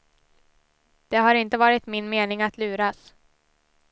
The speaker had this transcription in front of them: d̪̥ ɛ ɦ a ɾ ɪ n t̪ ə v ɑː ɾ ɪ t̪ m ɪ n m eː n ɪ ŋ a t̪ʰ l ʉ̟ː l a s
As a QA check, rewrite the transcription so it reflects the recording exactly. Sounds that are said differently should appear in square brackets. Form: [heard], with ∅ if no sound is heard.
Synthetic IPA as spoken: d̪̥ ɛ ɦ a ɾ ɪ n t̪ ə v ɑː ɾ ɪ t̪ m ɪ n m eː n ɪ ŋ a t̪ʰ l ʉ̟ː [ɾ] a s